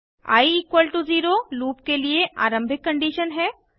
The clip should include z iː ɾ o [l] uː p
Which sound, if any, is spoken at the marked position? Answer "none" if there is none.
l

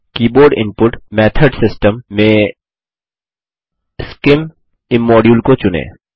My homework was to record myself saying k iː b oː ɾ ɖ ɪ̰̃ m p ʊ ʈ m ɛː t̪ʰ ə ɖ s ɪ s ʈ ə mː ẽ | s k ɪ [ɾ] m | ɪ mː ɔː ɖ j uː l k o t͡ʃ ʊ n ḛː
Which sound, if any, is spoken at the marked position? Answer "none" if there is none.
none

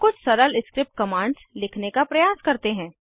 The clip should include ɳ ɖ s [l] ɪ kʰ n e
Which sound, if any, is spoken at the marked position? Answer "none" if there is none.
l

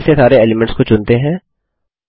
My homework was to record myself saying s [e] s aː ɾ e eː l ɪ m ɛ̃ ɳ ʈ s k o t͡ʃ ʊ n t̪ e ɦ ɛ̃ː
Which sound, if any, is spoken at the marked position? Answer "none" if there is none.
e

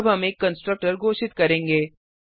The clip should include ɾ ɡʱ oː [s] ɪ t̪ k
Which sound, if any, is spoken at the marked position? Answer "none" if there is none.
ʃ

